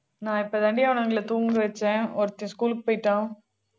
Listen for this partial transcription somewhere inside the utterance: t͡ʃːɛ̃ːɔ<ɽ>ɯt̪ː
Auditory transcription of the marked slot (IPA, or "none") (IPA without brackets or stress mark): ɾ